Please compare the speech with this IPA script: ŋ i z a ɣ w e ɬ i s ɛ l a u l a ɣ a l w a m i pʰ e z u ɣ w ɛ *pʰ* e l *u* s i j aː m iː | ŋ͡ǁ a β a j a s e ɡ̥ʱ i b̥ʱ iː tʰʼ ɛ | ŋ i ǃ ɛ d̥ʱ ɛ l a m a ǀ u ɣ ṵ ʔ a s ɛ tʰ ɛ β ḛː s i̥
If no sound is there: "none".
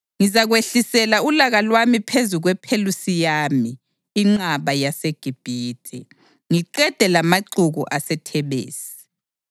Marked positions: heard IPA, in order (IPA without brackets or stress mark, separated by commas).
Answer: pʰ, u